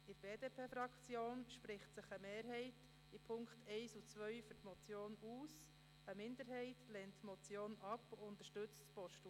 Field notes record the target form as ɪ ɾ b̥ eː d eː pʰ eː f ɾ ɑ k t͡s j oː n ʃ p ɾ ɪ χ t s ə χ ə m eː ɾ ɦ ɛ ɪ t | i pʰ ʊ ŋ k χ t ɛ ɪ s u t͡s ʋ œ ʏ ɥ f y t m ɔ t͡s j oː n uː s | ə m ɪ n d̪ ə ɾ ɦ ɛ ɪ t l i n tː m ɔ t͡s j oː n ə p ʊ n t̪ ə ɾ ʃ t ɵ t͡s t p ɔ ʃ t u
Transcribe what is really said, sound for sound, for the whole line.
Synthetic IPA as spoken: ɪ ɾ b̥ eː d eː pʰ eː f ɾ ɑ k t͡s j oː n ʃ p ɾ ɪ χ t s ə χ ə m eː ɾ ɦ ɛ ɪ t | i pʰ ʊ ŋ k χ t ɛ ɪ s u t͡s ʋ œ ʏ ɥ f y t m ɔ t͡s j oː n uː s | ə m ɪ n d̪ ə ɾ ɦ ɛ ɪ t l ɛ n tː m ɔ t͡s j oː n ɑ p ʊ n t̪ ə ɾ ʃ t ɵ t͡s t p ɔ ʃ t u

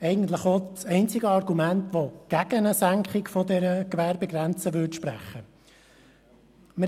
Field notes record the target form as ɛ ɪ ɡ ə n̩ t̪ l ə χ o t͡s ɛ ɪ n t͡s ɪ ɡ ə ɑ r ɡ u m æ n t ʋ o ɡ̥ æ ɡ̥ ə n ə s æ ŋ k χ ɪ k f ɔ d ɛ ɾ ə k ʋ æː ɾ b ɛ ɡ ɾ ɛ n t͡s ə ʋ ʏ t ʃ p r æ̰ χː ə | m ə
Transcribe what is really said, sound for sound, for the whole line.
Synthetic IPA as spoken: ɛ ɪ ɡ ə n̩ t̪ l ə χ o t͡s ɛ ɪ n t͡s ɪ ɡ ə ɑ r ɡ u m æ n t ʋ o ɡ̥ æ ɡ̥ ə n ə s æ ŋ k χ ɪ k f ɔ d ɛ ɾ ə k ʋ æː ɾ b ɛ ɡ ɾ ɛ n t͡s ə ʋ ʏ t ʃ p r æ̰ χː ə | m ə

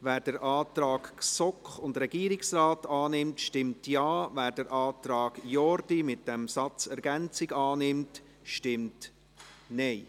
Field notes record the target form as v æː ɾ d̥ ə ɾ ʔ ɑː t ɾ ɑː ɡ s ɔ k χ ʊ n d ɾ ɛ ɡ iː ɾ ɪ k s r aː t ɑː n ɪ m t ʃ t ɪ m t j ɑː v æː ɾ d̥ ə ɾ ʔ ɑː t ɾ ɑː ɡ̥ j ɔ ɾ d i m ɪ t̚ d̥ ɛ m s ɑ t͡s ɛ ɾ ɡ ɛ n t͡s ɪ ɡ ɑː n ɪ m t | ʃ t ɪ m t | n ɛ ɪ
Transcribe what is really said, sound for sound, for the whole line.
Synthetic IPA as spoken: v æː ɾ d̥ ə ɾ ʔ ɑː t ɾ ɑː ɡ s ɔ k χ ʊ n d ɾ ɛ ɡ iː ɾ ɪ k s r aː t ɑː n ɪ m t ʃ t ɪ m t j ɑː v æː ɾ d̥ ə ɾ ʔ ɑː t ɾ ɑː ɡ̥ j ɔ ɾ d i m ɪ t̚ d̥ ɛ m s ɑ t͡s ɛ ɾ ɡ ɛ n t͡s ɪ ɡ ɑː n ɪ m t | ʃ t ɪ m t | n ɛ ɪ

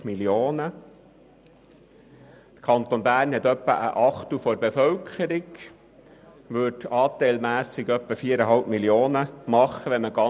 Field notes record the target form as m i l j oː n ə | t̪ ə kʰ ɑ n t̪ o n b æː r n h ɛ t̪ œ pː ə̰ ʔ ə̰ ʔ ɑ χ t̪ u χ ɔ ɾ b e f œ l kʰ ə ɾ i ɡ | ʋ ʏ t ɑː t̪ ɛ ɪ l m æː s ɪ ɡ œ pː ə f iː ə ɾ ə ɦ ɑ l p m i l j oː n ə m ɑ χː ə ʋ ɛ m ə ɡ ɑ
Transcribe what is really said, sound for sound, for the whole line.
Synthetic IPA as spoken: m i l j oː n ə | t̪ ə kʰ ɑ n t̪ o n b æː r n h ɛ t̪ œ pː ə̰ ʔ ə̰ ʔ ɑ χ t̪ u f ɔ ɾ b e f œ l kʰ ə ɾ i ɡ | ʋ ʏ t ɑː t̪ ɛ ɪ l m æː s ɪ ɡ œ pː ə f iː ə ɾ ə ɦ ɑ l p m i l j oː n ə m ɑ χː ə ʋ ɛ m ə ɡ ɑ

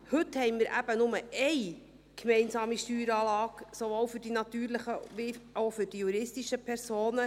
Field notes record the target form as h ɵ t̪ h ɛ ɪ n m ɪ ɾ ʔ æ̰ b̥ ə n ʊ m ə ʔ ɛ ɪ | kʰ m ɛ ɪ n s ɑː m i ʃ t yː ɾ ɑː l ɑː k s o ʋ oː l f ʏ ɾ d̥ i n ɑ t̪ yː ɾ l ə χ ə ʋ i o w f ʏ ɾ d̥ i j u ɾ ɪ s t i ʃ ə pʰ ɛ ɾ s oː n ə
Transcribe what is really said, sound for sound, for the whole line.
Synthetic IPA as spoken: h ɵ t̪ h ɛ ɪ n m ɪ ɾ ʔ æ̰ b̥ ə n ʊ m ə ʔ ɛ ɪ | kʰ m ɛ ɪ n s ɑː m i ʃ t yː ɾ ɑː l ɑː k s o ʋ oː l f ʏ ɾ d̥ i n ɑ t̪ yː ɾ l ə χ ə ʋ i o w f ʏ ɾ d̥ i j u ɾ ɪ s t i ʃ ə pʰ ɛ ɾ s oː n ə

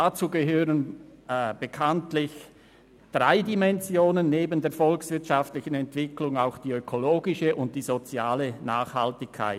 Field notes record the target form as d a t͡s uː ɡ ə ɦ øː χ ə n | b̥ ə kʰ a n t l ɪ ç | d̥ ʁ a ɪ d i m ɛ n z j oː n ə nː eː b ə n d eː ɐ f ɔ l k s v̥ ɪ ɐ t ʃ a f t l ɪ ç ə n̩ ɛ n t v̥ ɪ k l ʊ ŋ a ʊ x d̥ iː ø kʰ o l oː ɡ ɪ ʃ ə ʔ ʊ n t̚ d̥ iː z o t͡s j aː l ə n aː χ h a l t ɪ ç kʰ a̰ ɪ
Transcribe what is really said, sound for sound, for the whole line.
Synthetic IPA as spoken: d a t͡s uː ɡ ə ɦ øː ʁ ə n | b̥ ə kʰ a n t l ɪ ç | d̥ ʁ a ɪ d i m ɛ n z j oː n ə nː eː b ə n d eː ɐ f ɔ l k s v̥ ɪ ɐ t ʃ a f t l ɪ ç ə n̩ ɛ n t v̥ ɪ k l ʊ ŋ a ʊ x d̥ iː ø kʰ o l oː ɡ ɪ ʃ ə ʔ ʊ n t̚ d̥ iː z o t͡s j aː l ə n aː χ h a l t ɪ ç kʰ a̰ ɪ

